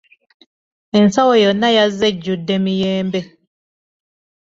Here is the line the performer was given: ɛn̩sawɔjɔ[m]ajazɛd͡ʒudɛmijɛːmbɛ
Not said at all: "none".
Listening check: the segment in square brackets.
n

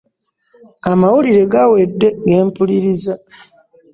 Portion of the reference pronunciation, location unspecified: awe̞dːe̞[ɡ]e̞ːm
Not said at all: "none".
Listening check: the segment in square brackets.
ɡ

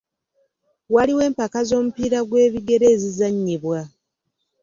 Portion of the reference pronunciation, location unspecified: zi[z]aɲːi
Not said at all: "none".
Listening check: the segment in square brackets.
z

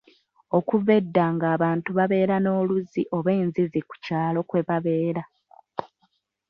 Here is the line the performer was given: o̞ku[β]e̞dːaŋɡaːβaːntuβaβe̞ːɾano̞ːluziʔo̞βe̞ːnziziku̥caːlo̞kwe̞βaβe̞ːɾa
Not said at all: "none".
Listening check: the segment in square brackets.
v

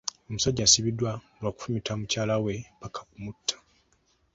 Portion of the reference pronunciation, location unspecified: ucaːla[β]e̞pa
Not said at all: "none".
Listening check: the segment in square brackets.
w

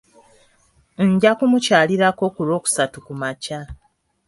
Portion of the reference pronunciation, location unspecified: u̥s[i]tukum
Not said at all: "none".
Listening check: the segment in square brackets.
a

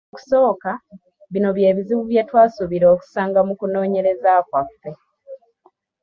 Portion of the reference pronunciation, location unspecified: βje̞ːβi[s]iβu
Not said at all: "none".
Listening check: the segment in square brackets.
z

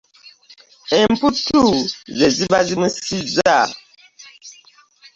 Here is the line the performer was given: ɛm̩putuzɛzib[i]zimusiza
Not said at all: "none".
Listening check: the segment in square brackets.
a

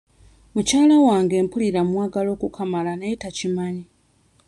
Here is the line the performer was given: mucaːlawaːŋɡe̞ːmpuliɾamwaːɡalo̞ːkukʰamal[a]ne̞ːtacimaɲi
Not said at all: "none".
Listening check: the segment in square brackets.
a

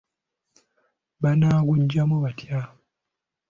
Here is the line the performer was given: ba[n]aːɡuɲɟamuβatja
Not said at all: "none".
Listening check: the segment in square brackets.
n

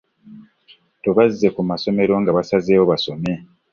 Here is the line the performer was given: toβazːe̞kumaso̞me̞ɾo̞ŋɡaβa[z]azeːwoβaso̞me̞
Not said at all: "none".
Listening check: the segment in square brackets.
s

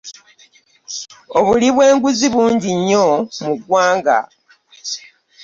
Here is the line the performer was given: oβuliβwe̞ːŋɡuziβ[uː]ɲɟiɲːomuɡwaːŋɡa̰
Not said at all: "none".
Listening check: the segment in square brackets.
uː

